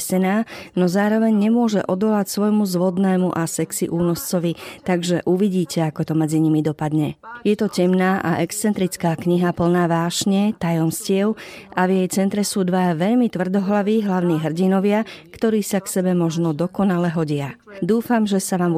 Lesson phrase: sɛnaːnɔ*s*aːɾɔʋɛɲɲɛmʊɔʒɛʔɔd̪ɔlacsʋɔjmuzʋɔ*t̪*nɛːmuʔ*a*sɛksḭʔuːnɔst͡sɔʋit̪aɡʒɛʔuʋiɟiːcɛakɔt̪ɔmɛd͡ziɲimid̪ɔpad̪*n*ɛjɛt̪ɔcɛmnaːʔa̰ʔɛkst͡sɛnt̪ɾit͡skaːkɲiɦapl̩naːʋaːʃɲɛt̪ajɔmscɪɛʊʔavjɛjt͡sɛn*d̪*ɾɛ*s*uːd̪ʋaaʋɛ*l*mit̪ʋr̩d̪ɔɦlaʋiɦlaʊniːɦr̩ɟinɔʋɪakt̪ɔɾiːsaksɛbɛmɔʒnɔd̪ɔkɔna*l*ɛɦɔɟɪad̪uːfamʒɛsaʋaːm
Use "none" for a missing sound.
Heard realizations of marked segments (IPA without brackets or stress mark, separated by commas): z, d̪, a, ɲ, t̪, s, ʎ, l